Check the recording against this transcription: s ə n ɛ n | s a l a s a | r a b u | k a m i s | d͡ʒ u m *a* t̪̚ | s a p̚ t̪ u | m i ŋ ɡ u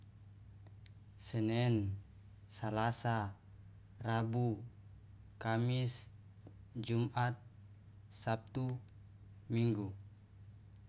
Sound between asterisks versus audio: correct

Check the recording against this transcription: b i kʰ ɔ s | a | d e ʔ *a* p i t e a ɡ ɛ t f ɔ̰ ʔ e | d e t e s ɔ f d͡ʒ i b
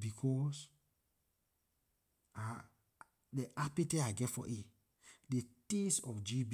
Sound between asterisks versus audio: correct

